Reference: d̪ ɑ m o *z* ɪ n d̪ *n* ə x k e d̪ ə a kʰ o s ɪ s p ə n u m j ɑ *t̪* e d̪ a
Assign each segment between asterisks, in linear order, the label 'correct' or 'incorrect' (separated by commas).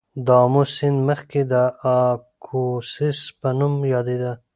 incorrect, incorrect, incorrect